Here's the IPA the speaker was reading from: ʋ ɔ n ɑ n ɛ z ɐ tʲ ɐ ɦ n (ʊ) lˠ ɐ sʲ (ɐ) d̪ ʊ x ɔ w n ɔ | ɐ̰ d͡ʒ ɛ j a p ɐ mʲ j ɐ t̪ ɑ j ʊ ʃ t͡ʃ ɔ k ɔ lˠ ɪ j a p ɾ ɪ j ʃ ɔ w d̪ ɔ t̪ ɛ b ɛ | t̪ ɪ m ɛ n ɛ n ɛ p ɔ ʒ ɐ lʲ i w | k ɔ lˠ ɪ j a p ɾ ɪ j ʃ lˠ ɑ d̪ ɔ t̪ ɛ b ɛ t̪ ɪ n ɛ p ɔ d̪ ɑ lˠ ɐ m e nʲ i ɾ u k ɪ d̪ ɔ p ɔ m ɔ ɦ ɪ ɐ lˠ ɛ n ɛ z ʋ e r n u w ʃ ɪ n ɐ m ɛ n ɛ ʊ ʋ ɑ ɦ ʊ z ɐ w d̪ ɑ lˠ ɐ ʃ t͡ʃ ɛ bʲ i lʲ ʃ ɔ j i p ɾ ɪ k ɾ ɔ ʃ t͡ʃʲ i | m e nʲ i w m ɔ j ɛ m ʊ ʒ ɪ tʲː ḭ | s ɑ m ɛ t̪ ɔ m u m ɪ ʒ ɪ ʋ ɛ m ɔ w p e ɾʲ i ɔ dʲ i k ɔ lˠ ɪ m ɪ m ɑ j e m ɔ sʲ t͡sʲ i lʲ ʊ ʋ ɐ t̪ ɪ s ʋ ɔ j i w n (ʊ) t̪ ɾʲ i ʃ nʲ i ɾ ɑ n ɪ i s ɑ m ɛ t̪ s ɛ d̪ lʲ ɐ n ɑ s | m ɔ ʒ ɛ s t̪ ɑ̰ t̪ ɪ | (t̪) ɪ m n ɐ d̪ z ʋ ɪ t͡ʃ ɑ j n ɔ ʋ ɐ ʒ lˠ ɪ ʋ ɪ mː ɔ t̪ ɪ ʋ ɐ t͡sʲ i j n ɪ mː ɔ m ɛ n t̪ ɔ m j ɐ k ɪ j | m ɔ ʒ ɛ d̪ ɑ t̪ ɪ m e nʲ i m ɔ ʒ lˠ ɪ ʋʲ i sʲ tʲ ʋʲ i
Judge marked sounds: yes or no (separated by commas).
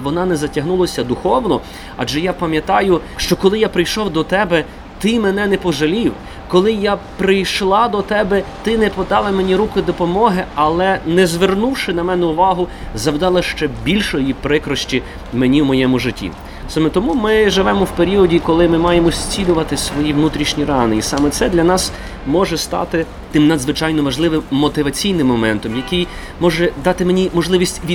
no, yes, no, yes